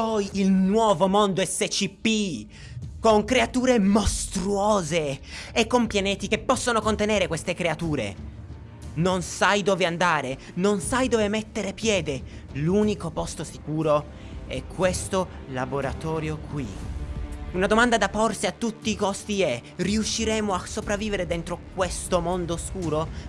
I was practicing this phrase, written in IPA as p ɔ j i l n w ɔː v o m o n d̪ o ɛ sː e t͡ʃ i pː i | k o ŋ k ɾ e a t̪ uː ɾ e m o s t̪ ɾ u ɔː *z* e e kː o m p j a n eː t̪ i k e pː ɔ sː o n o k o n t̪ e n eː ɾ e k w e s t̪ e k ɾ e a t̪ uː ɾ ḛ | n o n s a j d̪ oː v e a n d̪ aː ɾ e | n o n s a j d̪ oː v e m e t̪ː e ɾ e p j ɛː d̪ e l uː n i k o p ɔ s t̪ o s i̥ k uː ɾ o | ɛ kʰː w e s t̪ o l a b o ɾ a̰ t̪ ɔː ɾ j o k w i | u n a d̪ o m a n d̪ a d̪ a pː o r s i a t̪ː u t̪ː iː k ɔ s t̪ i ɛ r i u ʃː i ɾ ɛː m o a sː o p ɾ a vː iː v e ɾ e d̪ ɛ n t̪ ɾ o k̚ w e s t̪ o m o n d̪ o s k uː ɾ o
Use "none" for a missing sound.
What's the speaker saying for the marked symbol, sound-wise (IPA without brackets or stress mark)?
z